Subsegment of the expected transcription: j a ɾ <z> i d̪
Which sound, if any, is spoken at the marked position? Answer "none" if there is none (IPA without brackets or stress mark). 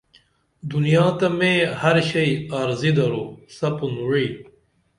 z